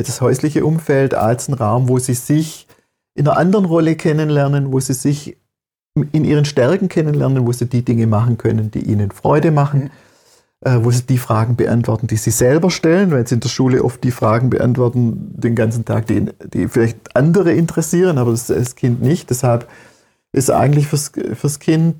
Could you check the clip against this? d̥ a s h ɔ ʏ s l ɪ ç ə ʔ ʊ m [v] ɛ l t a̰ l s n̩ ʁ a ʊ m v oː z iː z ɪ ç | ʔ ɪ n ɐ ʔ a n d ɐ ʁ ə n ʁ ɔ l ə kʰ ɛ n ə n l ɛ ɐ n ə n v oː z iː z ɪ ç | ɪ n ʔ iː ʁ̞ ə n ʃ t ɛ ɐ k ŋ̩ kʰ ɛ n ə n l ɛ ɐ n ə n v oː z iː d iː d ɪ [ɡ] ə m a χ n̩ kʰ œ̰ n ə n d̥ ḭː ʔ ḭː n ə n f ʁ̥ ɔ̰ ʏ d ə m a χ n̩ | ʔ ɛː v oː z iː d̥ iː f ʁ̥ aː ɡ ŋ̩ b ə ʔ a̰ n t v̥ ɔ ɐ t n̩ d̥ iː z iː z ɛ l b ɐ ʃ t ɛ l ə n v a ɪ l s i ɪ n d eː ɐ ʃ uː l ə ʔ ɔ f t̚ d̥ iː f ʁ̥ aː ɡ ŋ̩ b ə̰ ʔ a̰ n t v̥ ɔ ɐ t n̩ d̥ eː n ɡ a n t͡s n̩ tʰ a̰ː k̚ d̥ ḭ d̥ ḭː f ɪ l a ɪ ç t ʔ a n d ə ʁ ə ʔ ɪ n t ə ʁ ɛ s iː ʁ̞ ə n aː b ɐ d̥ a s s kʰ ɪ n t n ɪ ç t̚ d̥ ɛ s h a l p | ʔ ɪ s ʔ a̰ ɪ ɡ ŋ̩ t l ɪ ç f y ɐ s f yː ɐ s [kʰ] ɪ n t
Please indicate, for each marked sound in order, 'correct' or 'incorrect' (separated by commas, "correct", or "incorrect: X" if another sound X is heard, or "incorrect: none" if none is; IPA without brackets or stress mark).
incorrect: f, incorrect: ŋ, correct